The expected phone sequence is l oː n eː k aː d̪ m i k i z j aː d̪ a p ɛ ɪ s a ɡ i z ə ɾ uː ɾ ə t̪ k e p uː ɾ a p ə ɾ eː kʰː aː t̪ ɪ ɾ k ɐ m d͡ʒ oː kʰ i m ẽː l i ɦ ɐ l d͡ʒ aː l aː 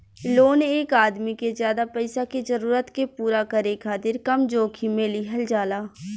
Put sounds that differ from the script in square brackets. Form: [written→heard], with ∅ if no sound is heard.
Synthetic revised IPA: l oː n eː k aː d̪ m i k [i→e] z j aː d̪ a p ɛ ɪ s a [ɡ→k] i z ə ɾ uː ɾ ə t̪ k e p uː ɾ a [p→k] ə ɾ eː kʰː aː t̪ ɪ ɾ k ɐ m d͡ʒ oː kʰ i m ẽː l i ɦ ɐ l d͡ʒ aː l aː